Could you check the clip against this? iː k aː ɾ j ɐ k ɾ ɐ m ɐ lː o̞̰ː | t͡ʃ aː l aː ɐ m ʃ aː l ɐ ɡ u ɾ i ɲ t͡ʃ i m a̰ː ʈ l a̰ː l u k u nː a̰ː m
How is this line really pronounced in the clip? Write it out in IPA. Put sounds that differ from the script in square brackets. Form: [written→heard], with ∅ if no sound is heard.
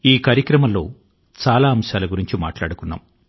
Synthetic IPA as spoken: iː k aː ɾ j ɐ k ɾ ɐ m ɐ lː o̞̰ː | t͡ʃ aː l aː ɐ m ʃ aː l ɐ ɡ u ɾ i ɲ t͡ʃ i m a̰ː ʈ l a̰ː [l→ɽ] u k u nː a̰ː m